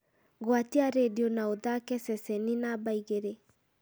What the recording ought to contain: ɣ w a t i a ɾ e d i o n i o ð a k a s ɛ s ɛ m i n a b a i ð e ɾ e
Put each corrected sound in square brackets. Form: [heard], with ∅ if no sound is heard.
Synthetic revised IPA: ɣ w a t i a ɾ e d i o n [a] o ð a k [ɛ] s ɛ s ɛ [n] i n a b a i [ɣ] e ɾ e